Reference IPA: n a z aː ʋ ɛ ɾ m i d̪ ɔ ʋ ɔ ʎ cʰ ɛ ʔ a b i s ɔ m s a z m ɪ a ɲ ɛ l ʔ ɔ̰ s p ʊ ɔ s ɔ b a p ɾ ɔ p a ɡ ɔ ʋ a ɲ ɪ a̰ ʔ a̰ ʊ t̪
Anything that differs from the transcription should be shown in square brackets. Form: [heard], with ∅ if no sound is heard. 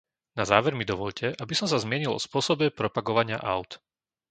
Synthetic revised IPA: n a z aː ʋ ɛ ɾ m i d̪ ɔ ʋ ɔ ʎ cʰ ɛ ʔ a b i s ɔ m s a z m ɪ [ɛ] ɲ [i] l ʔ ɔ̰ s p ʊ ɔ s ɔ b [ɛ] p ɾ ɔ p a ɡ ɔ ʋ a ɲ ɪ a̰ ʔ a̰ ʊ t̪